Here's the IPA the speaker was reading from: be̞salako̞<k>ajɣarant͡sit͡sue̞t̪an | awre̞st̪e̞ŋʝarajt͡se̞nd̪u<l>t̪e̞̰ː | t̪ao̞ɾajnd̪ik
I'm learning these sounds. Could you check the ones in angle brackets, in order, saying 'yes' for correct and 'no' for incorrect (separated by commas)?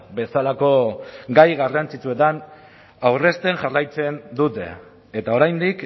no, no